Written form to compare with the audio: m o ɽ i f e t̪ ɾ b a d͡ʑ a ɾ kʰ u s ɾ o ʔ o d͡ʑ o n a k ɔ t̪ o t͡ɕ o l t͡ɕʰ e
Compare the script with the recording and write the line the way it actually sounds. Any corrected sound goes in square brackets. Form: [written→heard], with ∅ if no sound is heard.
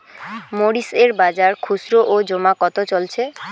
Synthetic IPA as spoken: m o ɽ i [f→s] e [t̪→∅] ɾ b a d͡ʑ a ɾ kʰ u s ɾ o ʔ o d͡ʑ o [n→m] a k ɔ t̪ o t͡ɕ o l t͡ɕʰ e